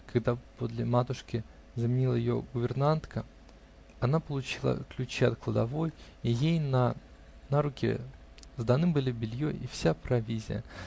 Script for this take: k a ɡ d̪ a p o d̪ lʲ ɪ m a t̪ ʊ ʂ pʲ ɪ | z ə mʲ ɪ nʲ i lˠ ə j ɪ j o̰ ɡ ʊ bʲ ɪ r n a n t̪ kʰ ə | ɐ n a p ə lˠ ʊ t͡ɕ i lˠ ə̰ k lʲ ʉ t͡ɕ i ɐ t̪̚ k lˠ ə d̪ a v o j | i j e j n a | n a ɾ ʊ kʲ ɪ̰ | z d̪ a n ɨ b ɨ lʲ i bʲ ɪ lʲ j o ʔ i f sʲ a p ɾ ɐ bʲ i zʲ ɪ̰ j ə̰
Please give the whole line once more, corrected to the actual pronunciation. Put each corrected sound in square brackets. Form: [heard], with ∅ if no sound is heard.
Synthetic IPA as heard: k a ɡ d̪ a p o d̪ lʲ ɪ m a t̪ ʊ ʂ [kʲ] ɪ | z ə mʲ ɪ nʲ i lˠ ə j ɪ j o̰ ɡ ʊ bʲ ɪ r n a n t̪ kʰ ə | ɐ n a p ə lˠ ʊ t͡ɕ i lˠ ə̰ k lʲ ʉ t͡ɕ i ɐ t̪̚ k lˠ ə d̪ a v o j | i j e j n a | n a ɾ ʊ kʲ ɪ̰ | z d̪ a n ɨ b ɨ lʲ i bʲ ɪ lʲ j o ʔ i f sʲ a p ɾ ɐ [vʲ] i zʲ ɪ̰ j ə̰